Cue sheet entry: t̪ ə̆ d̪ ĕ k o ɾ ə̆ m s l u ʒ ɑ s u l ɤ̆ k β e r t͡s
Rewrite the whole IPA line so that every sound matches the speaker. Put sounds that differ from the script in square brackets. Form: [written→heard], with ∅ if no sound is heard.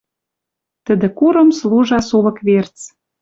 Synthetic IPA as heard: t̪ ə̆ d̪ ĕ k [o→u] ɾ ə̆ m s l u ʒ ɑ s u l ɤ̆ k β e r t͡s

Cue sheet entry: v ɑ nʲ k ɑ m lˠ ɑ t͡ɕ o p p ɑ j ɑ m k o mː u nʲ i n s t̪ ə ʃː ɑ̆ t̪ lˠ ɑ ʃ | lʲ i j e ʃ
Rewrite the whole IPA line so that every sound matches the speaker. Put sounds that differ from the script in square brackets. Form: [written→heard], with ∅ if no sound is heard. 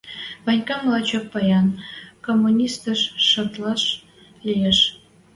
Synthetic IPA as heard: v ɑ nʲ k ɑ m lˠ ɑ t͡ɕ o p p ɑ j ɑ [m→n] k o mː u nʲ i [n→∅] s t̪ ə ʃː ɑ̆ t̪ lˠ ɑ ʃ | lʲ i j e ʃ

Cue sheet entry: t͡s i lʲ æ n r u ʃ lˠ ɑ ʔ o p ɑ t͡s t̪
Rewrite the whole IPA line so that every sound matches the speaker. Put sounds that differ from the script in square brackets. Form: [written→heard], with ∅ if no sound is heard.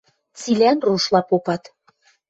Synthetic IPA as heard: t͡s i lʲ æ n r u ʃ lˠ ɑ [ʔ→p] o p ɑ [t͡s→∅] t̪

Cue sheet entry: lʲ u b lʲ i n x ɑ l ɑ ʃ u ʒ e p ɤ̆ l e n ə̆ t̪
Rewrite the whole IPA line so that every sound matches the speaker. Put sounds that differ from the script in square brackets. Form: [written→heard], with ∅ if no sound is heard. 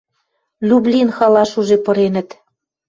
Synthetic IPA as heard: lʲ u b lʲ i n x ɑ l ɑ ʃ u ʒ e p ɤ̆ [l→ɾ] e n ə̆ t̪

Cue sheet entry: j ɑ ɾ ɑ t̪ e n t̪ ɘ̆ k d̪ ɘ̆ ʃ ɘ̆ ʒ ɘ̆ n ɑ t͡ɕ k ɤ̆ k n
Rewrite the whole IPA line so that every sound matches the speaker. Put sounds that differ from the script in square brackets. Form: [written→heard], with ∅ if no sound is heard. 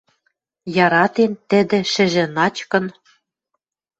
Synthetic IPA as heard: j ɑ ɾ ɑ t̪ e n t̪ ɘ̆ [k→∅] d̪ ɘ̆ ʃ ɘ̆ ʒ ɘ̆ n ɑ t͡ɕ k ɤ̆ [k→∅] n

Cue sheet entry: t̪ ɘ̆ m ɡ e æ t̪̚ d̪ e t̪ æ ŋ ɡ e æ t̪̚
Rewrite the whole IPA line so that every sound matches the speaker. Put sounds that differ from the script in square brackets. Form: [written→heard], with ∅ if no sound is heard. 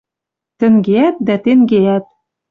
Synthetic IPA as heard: t̪ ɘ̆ [m→ŋ] ɡ e æ t̪̚ d̪ [e→æ] t̪ [æ→e] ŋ ɡ e æ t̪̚

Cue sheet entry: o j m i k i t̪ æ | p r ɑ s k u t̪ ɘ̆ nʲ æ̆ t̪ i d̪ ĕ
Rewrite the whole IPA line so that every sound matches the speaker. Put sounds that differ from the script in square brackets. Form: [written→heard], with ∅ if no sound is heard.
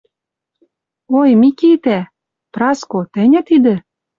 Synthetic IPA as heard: o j m i k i t̪ æ | p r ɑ s k [u→o] t̪ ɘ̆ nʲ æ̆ t̪ i d̪ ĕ

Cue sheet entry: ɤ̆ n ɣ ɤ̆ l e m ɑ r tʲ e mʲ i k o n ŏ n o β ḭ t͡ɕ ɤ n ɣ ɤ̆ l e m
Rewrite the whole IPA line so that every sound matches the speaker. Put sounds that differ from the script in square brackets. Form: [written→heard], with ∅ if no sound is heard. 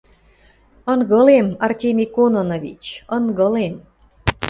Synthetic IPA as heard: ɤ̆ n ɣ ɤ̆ l e m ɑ r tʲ e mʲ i k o n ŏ n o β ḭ t͡ɕ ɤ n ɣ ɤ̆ l e m

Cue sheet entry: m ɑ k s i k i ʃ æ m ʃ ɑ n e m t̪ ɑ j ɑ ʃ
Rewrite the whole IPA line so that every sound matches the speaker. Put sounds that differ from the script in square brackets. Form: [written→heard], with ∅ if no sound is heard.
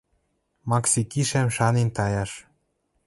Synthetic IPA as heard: m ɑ k s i k i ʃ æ m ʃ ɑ n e [m→n] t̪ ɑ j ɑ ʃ

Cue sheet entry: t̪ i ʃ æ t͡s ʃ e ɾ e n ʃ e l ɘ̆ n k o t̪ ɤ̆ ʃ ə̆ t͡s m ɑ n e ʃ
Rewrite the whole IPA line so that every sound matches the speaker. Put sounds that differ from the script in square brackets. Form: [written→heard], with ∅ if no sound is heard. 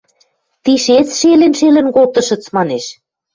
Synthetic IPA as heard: t̪ i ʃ [æ→e] t͡s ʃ e [ɾ→l] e n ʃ e l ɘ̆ n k o t̪ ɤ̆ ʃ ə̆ t͡s m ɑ n e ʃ

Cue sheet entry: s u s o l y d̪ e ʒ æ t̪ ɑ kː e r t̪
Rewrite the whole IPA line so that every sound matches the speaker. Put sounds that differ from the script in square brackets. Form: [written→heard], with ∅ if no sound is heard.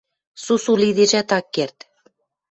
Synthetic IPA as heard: s u s [o→u] l [y→i] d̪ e ʒ æ t̪ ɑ kː e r t̪

